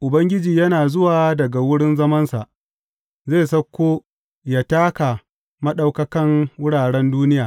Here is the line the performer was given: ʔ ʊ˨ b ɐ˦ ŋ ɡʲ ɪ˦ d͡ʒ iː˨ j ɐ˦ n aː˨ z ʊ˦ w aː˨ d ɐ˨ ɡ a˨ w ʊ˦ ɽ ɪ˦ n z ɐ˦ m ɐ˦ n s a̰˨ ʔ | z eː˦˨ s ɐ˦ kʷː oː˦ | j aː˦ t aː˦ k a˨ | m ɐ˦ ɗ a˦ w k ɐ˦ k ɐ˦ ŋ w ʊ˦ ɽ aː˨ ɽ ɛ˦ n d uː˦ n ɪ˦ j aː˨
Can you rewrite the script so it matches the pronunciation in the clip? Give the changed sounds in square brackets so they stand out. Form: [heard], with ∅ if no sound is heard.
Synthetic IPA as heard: ʔ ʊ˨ b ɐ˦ ŋ ɡʲ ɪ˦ d͡ʒ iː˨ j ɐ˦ n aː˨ z ʊ˦ w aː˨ d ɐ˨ ɡ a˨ w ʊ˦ ɽ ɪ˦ n z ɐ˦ m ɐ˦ n s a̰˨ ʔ | z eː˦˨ s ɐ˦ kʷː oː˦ | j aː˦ t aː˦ k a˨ | m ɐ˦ ɗ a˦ w k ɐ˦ k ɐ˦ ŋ w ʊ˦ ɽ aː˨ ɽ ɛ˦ n d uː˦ n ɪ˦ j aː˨